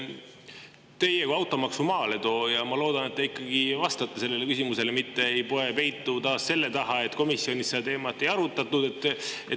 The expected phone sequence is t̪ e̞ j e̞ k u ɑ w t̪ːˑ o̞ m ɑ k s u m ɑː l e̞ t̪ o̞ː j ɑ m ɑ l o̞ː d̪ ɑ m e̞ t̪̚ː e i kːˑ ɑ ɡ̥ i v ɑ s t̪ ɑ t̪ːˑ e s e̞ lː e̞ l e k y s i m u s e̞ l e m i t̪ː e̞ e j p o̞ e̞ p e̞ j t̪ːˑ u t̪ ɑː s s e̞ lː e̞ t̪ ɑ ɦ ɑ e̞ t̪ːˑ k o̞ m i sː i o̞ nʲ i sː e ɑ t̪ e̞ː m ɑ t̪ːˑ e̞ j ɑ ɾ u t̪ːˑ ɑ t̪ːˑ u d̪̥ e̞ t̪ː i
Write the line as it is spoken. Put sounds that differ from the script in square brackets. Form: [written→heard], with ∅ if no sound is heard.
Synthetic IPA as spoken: t̪ e̞ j e̞ k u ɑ w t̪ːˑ o̞ m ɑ k s u m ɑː l e̞ t̪ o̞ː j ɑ m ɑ l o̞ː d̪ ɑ [m→n] e̞ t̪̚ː e i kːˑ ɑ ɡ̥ i v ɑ s t̪ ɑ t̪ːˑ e s e̞ lː e̞ l e k y s i m u s e̞ l e m i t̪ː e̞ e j p o̞ e̞ p e̞ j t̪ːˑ u t̪ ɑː s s e̞ lː e̞ t̪ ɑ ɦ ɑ e̞ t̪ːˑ k o̞ m i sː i o̞ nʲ i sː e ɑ t̪ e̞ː m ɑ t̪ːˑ e̞ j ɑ ɾ u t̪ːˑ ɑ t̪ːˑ u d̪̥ e̞ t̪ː [i→e]